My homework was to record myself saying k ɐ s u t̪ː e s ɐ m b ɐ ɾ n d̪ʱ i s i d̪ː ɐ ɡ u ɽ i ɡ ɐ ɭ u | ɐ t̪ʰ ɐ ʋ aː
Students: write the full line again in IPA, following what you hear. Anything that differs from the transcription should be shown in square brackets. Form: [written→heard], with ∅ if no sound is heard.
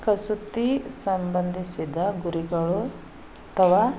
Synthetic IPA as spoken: k ɐ s u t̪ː [e→i] s ɐ m b ɐ [ɾ→∅] n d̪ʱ i s i [d̪ː→d̪] ɐ ɡ u [ɽ→ɾ] i ɡ ɐ ɭ u | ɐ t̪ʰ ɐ ʋ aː